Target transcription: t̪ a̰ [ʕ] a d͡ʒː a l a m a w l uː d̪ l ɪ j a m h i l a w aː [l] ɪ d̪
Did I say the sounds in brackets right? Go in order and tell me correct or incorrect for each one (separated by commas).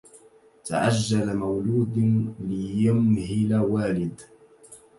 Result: correct, correct